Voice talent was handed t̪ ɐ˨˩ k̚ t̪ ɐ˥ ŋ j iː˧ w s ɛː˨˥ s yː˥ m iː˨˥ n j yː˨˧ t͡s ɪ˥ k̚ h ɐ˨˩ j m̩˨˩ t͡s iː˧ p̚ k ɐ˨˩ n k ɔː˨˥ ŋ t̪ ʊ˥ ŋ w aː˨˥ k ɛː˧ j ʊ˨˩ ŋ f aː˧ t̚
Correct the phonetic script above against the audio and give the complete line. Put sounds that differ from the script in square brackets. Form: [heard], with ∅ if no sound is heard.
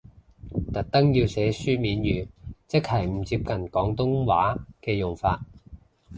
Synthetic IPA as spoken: t̪ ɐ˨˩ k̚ t̪ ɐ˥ ŋ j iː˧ w s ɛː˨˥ s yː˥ m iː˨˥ n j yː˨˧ t͡s ɪ˥ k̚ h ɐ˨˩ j m̩˨˩ t͡s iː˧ p̚ k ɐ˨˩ n k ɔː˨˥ ŋ t̪ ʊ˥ ŋ w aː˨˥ k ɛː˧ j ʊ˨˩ ŋ f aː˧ t̚